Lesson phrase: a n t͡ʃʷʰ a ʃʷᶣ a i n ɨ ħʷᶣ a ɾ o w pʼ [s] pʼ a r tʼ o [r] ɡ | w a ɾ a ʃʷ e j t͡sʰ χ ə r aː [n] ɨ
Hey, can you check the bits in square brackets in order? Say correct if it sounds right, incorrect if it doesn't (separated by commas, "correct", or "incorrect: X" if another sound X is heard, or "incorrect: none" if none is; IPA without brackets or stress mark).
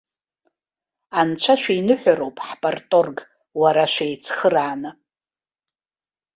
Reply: incorrect: ħ, correct, correct